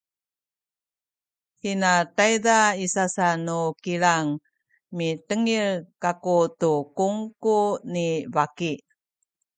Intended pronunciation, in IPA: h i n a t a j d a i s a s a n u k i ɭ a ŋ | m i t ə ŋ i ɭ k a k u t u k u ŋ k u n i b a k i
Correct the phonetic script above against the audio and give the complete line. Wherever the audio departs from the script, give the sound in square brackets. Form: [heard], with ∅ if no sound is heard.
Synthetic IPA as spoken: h i n a t a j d a i s a s a n u k i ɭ a ŋ | m i t ə ŋ i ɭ k a k u t u k u ŋ k u n i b a k i